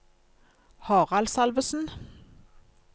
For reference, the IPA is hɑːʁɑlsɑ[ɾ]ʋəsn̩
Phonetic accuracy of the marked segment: incorrect: l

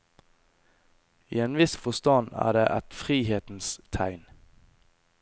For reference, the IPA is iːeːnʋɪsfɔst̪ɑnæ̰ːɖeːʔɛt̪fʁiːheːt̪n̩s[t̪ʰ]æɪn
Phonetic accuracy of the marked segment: correct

